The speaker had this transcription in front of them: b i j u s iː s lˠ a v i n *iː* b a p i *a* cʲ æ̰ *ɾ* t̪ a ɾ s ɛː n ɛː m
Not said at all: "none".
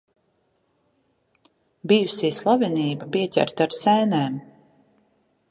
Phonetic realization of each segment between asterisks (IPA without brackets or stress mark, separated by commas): iː, ɛ, ɾ